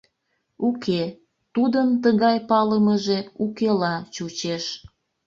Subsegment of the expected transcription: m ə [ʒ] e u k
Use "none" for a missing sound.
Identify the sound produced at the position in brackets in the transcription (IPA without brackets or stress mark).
ʒ